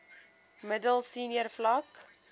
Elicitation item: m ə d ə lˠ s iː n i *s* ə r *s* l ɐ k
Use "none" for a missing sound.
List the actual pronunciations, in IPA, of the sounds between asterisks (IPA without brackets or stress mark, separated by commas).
none, f